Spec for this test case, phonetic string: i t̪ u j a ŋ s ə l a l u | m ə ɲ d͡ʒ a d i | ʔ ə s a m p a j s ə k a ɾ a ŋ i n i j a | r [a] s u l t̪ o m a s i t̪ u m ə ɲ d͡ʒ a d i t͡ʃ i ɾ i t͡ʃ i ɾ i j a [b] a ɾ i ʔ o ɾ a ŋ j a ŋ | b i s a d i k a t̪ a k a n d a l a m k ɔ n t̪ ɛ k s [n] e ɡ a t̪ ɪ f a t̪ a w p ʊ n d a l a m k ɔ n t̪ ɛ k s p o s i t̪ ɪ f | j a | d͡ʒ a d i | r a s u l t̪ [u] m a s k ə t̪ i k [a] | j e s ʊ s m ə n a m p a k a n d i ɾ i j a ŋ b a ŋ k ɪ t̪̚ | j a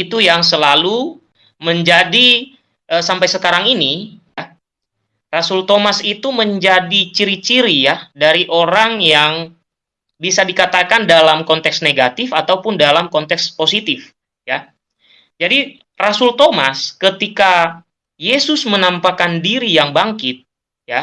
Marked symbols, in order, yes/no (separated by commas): yes, no, yes, no, yes